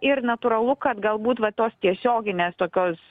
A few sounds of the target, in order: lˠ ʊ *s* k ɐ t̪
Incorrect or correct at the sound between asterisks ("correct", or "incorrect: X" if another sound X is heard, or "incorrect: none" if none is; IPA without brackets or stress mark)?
incorrect: none